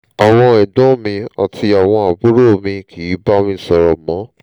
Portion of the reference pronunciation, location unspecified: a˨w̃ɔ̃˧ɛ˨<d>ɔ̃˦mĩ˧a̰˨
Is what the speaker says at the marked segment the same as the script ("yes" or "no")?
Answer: yes